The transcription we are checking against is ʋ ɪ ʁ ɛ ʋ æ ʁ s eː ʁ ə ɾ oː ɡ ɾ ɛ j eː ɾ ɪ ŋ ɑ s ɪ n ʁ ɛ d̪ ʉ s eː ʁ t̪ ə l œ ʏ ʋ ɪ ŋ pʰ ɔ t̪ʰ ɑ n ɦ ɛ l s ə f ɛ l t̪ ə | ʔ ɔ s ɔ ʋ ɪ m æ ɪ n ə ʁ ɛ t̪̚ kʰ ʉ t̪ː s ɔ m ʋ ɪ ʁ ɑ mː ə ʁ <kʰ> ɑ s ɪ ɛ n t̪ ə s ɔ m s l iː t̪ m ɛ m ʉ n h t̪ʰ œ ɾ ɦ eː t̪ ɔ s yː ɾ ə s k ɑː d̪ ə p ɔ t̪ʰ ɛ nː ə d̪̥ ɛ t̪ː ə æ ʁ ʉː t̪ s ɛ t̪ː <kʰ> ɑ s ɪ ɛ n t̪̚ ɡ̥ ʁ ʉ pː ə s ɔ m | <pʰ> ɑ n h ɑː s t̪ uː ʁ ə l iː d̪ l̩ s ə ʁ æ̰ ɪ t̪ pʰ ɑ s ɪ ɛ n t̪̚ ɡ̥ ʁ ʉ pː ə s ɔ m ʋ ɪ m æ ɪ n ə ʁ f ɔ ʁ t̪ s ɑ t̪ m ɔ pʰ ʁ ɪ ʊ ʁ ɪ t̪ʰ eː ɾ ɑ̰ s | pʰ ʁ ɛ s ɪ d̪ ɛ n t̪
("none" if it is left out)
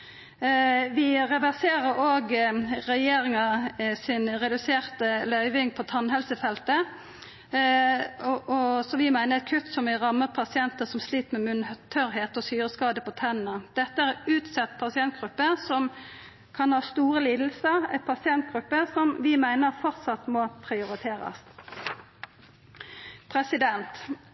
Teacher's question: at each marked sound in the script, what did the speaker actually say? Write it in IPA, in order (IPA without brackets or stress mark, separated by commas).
pʰ, pʰ, kʰ